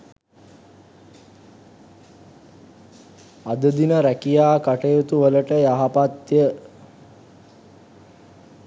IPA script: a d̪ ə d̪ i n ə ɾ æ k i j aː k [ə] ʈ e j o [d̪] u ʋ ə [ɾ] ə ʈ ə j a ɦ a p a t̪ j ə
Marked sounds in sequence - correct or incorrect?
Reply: incorrect, incorrect, incorrect

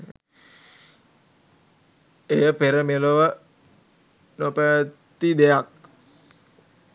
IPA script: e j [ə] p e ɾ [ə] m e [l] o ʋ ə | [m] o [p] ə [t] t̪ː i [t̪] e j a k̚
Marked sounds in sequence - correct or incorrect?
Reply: correct, correct, correct, incorrect, correct, correct, incorrect

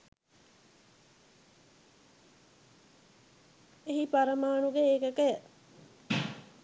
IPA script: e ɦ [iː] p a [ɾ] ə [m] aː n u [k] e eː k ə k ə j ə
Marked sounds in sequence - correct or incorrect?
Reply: incorrect, correct, correct, incorrect

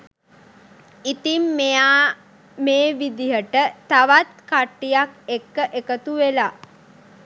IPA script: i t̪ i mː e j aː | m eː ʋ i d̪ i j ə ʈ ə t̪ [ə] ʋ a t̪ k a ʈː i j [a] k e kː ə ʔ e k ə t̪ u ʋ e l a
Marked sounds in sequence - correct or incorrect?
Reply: incorrect, correct

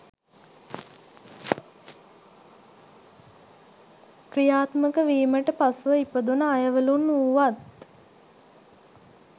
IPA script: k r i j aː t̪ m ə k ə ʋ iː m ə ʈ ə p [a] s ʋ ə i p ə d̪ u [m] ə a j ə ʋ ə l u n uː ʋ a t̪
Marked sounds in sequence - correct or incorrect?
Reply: correct, incorrect

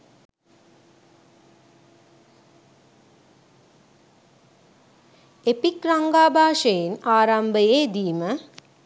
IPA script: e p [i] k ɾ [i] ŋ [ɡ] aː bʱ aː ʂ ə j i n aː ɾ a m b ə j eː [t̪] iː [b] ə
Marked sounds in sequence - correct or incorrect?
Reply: correct, incorrect, correct, incorrect, incorrect

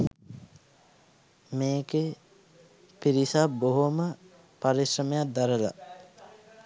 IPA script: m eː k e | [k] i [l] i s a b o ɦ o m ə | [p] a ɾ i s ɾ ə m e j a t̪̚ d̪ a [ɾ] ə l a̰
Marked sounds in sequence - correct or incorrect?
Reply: incorrect, incorrect, correct, correct

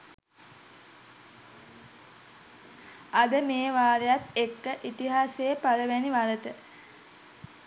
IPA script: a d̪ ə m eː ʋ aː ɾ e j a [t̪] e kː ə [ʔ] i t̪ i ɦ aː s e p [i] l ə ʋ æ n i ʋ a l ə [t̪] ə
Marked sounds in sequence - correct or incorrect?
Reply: correct, correct, incorrect, correct

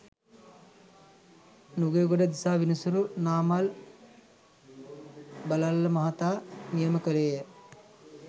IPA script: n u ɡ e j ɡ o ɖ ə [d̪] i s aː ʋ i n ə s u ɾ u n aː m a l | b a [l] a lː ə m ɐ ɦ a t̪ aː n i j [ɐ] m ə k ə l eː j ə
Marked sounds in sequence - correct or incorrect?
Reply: correct, correct, incorrect

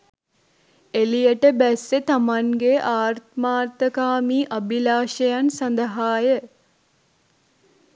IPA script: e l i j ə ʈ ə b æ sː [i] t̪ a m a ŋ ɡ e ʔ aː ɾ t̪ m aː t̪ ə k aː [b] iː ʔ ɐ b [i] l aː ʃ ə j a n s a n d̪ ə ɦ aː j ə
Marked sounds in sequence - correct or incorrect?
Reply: incorrect, incorrect, correct

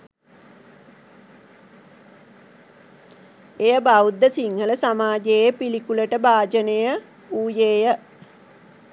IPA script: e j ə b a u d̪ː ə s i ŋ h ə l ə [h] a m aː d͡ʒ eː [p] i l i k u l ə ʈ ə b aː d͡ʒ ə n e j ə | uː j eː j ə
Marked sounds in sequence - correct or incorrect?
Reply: incorrect, correct

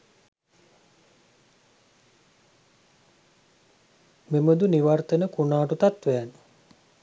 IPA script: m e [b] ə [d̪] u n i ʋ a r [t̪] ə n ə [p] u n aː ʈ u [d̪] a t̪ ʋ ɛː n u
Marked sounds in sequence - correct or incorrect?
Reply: incorrect, correct, correct, incorrect, incorrect

